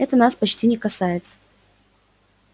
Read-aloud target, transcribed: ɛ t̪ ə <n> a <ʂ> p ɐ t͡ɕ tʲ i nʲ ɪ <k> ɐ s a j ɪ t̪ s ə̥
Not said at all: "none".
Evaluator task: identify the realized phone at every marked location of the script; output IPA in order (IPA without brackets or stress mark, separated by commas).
n, s, k